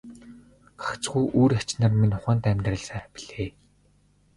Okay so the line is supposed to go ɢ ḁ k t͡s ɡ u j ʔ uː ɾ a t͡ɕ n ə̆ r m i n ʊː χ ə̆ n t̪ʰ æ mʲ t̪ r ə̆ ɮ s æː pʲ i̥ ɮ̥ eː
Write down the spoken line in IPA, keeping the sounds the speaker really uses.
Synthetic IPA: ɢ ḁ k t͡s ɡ u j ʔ uː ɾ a t͡ɕ n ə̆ r m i n ʊ χ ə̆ n t̪ æ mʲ t̪ r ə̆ ɮ s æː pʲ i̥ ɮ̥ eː